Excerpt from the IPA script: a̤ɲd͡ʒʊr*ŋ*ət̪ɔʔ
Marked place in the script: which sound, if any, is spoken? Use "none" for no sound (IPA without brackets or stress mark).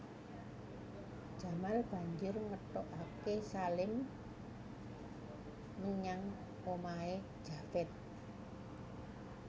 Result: ŋ